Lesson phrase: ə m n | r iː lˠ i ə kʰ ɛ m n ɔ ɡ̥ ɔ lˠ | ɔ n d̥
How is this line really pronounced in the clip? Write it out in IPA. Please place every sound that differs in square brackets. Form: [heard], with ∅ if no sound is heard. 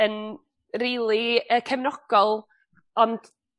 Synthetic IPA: ə [∅] n | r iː lˠ i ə kʰ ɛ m n ɔ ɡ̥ ɔ lˠ | ɔ n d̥